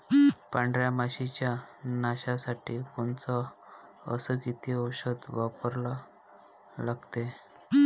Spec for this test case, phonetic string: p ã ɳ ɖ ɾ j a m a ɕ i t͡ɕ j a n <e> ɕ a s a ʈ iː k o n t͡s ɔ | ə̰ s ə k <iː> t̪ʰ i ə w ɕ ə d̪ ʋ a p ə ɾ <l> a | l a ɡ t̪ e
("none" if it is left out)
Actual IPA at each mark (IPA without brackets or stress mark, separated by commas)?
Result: a, i, l